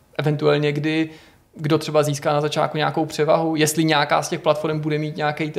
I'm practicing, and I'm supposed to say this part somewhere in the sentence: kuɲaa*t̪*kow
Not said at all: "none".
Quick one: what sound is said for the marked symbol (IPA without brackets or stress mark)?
none